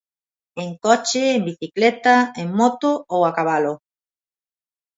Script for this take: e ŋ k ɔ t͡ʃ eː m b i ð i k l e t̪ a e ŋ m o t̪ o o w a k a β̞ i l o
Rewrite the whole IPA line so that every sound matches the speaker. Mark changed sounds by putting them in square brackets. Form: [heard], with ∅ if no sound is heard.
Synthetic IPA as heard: e ŋ k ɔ t͡ʃ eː m b i [θ] i k l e t̪ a e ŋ m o t̪ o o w a k a β̞ [a] l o